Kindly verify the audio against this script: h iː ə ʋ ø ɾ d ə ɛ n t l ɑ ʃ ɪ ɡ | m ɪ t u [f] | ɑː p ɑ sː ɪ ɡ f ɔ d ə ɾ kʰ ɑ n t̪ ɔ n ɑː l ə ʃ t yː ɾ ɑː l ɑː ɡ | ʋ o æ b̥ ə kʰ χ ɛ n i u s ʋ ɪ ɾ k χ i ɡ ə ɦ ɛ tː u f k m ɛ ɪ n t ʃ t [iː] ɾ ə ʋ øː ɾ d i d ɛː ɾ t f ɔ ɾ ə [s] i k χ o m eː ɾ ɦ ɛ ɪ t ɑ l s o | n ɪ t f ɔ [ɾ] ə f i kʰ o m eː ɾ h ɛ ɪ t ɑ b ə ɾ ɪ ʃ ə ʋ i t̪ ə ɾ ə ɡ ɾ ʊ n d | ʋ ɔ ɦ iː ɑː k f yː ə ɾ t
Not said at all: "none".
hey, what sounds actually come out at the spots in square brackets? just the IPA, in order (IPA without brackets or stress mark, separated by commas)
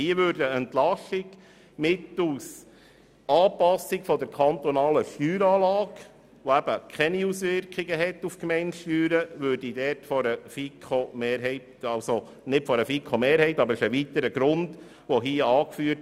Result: s, yː, f, ɾ